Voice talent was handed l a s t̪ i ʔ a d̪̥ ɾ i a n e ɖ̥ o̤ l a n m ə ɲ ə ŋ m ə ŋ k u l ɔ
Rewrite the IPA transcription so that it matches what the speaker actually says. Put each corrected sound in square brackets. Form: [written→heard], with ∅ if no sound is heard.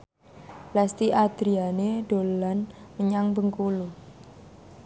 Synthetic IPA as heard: l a s t̪ i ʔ a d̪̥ ɾ i a n e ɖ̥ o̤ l a n m ə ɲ [ə→a] ŋ [m→b] ə ŋ k u l [ɔ→u]